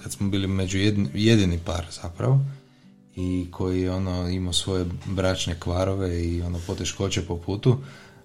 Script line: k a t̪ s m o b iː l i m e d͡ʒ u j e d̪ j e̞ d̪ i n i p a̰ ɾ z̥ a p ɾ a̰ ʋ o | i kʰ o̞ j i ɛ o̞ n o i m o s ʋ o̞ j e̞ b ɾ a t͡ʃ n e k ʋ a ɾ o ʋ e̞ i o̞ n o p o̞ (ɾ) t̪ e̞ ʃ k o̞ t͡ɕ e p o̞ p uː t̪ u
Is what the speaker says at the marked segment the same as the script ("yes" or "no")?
no